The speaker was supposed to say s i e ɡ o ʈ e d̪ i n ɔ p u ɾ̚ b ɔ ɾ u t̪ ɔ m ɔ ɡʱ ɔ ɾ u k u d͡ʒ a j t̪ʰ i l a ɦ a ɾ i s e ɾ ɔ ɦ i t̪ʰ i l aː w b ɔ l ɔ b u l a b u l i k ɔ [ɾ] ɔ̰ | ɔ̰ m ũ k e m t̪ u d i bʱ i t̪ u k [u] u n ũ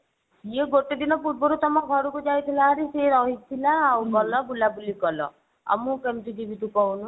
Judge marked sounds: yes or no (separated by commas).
no, no